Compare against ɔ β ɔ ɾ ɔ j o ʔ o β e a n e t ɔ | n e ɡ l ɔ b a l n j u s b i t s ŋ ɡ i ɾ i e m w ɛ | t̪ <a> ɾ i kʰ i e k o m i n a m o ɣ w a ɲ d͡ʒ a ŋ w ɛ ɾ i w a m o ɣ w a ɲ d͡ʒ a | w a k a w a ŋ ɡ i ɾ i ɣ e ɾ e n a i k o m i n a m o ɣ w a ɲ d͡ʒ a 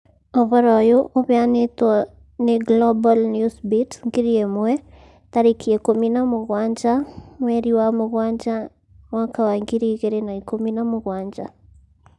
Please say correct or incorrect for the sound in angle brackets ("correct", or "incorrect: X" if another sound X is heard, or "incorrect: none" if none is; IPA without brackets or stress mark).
correct